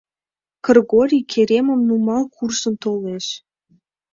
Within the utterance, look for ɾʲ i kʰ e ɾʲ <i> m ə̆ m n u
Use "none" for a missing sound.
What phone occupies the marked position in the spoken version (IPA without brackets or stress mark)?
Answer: e